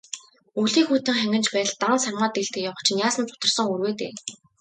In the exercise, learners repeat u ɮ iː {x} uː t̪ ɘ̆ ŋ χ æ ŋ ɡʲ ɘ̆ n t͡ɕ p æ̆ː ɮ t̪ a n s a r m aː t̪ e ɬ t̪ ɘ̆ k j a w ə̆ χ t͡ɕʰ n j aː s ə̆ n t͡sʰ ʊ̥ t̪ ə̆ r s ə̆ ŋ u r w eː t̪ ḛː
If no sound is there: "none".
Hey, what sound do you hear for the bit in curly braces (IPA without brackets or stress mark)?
x